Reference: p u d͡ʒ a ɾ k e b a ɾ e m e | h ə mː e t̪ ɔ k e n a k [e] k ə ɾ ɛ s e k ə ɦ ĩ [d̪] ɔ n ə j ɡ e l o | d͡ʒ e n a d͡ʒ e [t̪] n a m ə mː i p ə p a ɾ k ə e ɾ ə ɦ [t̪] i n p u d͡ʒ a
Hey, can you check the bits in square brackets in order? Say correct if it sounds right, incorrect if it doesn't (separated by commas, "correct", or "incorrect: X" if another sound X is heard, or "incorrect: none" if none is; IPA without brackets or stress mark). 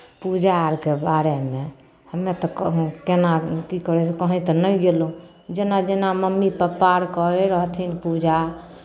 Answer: incorrect: i, incorrect: t̪, incorrect: none, incorrect: t̪ʰ